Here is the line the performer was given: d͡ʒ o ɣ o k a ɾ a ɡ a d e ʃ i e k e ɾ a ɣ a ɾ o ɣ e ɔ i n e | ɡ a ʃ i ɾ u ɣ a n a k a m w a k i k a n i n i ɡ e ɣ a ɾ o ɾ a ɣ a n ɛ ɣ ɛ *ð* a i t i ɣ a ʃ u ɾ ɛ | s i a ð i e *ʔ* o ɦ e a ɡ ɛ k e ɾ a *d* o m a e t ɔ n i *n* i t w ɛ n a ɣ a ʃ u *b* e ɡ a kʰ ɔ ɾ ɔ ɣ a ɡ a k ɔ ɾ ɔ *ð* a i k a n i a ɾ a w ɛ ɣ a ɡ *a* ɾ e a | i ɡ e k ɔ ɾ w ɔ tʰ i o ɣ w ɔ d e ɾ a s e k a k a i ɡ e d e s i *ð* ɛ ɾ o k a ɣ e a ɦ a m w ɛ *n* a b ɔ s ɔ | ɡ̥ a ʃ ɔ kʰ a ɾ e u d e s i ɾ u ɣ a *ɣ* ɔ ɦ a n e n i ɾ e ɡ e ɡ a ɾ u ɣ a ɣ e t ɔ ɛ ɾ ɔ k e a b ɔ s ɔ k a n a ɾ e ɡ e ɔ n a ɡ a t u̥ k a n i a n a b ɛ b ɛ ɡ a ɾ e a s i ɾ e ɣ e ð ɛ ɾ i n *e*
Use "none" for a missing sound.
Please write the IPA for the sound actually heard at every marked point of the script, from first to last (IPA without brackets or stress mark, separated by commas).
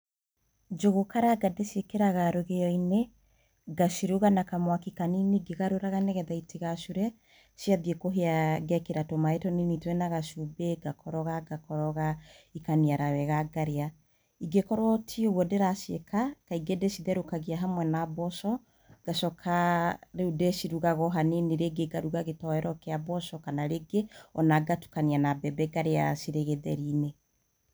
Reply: ð, k, t, n, b, ɣ, a, ð, n, ɣ, e